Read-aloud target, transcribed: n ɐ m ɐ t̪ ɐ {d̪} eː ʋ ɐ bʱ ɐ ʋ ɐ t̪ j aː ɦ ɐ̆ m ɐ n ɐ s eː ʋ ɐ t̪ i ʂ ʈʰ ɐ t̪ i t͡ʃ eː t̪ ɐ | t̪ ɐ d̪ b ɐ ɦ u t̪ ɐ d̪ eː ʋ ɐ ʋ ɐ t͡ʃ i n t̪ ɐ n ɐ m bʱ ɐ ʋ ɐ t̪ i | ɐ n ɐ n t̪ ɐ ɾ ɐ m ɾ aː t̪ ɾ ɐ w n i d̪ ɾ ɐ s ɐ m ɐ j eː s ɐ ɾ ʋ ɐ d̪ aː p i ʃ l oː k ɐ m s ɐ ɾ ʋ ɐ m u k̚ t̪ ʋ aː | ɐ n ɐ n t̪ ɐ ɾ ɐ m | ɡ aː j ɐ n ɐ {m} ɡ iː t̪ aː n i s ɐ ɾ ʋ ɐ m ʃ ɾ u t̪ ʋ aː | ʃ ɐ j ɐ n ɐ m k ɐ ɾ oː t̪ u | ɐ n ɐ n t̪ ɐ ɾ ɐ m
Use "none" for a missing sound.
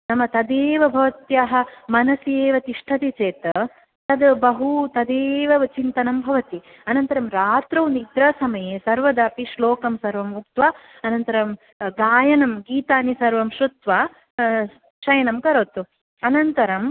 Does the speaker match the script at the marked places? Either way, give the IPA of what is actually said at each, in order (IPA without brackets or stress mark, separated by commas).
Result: d̪, m